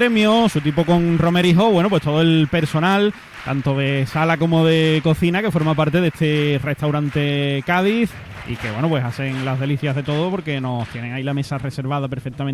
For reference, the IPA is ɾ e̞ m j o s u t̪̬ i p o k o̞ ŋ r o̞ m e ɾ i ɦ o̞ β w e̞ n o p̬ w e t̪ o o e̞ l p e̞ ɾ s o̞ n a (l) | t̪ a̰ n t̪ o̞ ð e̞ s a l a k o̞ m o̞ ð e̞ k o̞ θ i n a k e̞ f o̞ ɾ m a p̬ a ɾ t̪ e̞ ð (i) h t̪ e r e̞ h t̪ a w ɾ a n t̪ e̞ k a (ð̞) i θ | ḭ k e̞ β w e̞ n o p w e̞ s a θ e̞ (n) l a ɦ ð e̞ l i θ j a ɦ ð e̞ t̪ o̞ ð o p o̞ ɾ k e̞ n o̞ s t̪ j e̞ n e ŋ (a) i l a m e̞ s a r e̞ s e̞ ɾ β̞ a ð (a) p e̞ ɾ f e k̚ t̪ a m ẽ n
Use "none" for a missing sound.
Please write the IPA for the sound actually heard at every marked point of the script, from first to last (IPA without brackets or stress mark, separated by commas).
l, e, ð̞, ŋ, a, a